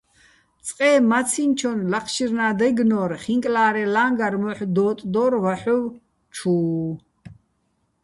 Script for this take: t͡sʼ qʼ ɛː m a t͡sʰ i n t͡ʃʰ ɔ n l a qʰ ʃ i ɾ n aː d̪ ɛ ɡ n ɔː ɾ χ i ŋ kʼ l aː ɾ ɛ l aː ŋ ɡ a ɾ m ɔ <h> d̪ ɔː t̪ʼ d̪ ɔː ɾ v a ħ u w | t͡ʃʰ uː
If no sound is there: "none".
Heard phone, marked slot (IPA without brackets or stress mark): ħ